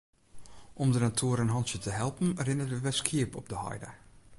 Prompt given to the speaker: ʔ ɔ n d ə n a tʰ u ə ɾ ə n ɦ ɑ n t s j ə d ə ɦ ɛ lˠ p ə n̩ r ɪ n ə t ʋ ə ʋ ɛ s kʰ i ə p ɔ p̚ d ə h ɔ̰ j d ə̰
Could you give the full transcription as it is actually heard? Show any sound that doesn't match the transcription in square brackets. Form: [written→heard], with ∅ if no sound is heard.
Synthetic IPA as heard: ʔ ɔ [n→m] d ə n a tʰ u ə ɾ ə n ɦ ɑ n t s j ə [d→t] ə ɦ ɛ lˠ p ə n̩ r ɪ n ə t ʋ ə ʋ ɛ s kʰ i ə p ɔ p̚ d ə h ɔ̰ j d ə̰